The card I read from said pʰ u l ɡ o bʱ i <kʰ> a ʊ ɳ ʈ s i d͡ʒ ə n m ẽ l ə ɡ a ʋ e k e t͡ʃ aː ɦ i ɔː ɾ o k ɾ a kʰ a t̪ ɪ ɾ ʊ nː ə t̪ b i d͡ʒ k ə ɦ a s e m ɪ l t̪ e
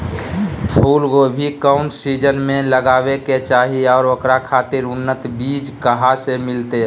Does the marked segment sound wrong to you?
yes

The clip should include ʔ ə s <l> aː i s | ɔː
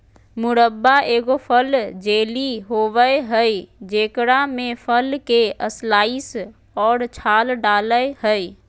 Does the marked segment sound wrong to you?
no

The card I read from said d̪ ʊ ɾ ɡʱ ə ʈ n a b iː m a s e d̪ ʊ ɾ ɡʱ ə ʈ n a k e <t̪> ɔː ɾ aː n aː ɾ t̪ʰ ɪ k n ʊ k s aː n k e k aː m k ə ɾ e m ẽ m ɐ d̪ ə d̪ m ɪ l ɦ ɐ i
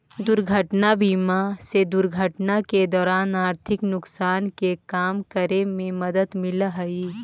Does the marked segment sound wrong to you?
yes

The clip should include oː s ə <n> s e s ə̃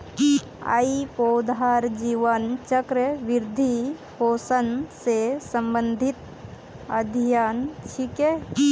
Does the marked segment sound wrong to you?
no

